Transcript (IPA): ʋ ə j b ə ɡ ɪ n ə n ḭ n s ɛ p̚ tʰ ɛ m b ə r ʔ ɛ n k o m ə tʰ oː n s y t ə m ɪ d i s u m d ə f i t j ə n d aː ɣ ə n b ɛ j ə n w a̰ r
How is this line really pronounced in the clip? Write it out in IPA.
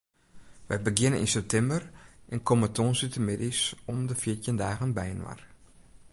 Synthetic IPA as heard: ʋ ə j b ə ɡ ɪ n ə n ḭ n s ɛ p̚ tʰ ɛ m b ə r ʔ ɛ n k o m ə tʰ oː n s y t ə m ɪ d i s ɔ m d ə f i t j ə n d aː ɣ ə n b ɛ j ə n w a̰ r